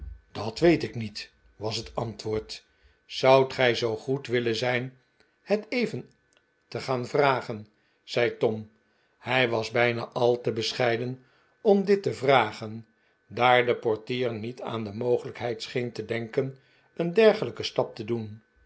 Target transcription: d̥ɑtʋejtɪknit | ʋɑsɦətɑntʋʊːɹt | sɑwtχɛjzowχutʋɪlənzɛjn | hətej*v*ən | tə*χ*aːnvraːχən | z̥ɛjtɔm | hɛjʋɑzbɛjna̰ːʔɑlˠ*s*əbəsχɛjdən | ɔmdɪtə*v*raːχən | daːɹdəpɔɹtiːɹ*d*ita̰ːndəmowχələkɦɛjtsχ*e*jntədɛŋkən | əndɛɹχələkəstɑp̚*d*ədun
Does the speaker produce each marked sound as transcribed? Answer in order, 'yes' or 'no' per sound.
yes, yes, no, yes, no, yes, no

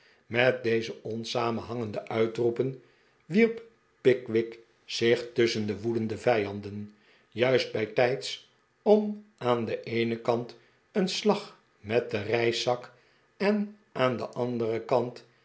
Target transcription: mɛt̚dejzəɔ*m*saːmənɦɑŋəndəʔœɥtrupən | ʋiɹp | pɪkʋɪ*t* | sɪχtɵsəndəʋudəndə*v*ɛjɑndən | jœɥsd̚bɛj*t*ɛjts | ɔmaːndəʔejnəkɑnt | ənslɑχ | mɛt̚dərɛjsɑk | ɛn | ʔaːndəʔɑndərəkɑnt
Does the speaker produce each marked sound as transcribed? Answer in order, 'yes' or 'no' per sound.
no, no, yes, yes

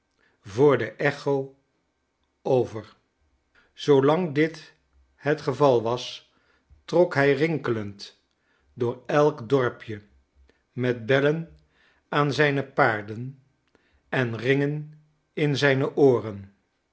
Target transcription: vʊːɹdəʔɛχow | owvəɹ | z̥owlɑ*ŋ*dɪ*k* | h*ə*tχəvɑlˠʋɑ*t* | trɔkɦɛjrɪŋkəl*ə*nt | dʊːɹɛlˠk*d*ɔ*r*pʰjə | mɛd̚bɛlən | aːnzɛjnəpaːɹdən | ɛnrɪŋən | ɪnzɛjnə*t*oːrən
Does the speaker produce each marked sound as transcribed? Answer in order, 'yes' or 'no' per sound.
yes, no, yes, no, yes, yes, no, no

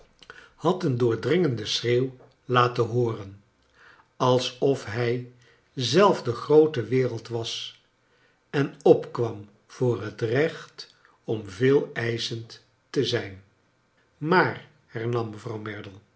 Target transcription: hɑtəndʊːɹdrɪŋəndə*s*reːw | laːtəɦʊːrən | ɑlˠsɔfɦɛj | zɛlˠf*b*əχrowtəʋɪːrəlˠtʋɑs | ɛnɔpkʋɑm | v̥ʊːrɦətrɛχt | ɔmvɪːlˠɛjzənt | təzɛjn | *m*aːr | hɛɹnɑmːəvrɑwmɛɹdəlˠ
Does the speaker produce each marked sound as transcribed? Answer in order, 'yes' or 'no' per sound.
yes, no, yes

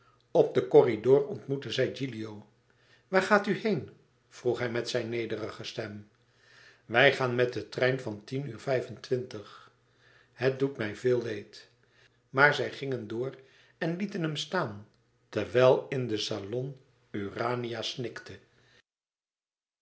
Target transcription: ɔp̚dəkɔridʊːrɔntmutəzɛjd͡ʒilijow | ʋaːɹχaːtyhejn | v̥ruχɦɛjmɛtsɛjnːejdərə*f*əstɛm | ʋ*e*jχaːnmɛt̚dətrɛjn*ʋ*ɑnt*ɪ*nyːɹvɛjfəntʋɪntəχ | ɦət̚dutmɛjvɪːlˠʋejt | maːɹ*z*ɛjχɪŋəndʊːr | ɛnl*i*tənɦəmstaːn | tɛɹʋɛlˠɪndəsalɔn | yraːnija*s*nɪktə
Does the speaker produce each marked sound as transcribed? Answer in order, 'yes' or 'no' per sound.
no, no, no, no, yes, yes, yes

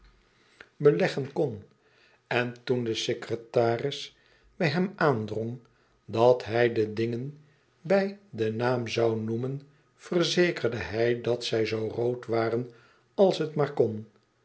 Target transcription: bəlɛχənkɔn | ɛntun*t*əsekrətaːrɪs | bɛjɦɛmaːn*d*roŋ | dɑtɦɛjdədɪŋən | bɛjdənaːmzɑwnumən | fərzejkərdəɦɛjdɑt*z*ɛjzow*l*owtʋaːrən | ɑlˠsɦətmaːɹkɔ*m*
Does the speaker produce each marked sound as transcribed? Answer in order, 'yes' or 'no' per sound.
no, yes, no, no, no

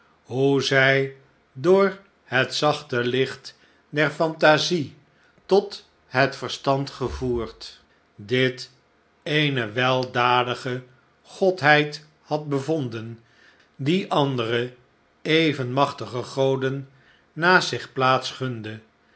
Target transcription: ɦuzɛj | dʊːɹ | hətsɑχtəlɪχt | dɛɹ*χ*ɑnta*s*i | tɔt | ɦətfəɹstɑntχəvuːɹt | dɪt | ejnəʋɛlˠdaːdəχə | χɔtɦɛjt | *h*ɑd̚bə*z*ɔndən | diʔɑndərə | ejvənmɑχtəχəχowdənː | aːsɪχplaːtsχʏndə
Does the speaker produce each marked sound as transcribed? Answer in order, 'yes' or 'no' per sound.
no, no, yes, no

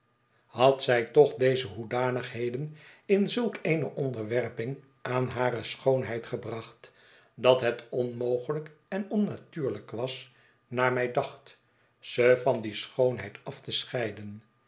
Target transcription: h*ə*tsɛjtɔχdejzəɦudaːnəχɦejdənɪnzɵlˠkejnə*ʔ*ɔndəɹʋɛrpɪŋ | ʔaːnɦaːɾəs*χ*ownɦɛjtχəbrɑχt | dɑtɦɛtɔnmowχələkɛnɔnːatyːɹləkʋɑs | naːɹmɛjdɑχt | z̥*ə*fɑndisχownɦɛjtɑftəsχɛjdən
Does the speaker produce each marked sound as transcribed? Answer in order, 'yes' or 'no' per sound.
no, yes, yes, yes

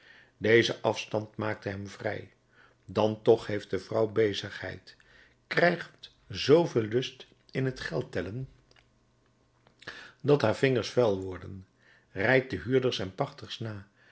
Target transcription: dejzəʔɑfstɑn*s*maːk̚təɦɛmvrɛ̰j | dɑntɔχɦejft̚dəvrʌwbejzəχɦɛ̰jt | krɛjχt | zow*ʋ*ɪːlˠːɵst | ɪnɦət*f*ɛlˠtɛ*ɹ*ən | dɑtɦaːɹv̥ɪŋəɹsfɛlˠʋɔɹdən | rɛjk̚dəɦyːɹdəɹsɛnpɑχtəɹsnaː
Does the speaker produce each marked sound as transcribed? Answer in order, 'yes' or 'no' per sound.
no, no, no, no

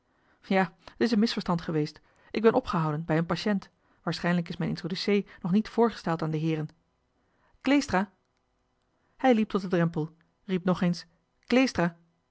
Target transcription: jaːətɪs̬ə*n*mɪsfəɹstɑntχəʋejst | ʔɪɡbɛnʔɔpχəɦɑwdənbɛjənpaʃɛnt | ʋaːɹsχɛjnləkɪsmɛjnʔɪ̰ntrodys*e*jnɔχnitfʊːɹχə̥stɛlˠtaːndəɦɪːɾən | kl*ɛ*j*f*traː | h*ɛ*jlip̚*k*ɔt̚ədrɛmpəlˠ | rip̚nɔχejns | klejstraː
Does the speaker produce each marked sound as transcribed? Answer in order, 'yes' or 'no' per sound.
yes, yes, no, no, yes, no

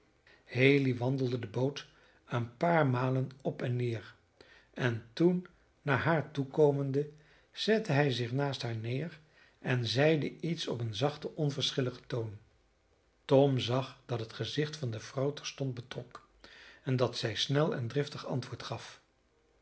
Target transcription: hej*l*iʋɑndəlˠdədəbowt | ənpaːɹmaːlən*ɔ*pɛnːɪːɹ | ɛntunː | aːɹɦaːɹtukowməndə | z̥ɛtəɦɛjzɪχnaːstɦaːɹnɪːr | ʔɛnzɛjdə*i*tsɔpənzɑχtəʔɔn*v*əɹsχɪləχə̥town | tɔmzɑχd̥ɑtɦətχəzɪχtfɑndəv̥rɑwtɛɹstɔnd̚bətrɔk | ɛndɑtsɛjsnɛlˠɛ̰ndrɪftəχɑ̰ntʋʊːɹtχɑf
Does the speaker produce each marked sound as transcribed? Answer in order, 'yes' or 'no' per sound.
yes, yes, yes, yes

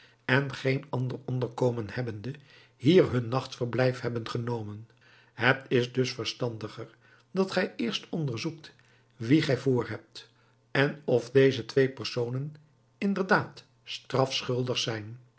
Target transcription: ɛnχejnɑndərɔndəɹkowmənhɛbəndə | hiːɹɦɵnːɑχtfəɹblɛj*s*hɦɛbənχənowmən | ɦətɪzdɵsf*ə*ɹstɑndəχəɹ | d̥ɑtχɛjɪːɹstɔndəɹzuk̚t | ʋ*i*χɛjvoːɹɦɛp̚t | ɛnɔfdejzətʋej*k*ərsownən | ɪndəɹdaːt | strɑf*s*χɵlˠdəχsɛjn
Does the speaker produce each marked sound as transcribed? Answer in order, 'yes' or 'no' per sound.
no, yes, yes, no, yes

